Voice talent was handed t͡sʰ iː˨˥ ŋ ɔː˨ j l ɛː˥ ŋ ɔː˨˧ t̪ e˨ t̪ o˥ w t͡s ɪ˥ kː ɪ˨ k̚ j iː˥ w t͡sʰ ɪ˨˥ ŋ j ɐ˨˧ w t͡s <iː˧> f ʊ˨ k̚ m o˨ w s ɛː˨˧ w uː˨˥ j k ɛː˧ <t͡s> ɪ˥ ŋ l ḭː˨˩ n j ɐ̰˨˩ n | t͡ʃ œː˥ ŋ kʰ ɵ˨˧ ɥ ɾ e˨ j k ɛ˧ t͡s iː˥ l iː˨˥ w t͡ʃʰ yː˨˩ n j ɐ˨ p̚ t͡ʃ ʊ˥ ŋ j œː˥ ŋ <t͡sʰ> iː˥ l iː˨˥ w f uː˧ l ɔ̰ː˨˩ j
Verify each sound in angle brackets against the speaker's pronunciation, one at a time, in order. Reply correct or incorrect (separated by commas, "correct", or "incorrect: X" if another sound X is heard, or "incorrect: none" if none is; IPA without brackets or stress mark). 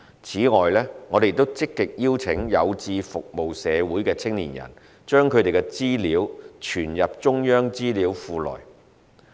correct, incorrect: t͡sʰ, incorrect: t͡s